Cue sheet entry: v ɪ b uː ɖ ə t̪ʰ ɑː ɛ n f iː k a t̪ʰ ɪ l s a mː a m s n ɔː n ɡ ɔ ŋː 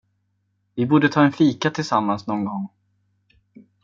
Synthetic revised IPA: v ɪ b uː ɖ ə t̪ʰ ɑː ɛ n f iː k a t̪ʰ ɪ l s a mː a n s n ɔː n ɡ ɔ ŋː